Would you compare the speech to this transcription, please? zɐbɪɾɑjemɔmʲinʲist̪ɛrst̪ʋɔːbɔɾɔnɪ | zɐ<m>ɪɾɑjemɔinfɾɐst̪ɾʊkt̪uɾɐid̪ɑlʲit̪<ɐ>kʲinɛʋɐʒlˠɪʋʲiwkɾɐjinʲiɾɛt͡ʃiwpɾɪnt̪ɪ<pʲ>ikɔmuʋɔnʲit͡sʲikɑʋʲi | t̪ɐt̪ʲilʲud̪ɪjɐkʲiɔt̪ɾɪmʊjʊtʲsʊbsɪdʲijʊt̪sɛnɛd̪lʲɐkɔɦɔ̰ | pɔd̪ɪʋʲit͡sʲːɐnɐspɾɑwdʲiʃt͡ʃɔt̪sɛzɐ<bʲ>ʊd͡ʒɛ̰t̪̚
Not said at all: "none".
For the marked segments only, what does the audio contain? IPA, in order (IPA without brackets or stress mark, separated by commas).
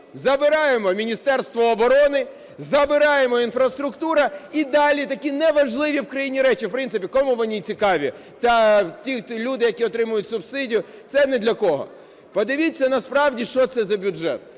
b, ɐ, pʲ, bʲ